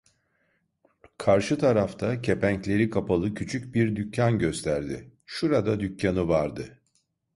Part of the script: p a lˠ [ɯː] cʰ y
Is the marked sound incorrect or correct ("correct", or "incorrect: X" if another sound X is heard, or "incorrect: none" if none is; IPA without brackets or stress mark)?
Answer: incorrect: ɯ